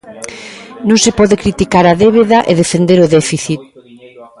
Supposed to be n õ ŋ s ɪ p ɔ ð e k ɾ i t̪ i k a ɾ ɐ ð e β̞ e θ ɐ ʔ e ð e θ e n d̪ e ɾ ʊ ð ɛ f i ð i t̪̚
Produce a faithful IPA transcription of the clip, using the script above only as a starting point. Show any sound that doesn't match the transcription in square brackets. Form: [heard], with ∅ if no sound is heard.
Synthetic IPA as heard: n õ ŋ s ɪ p ɔ ð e k ɾ i t̪ i k a ɾ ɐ ð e β̞ e [ð] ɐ ʔ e ð e [f] e n d̪ e ɾ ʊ ð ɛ f i [θ] i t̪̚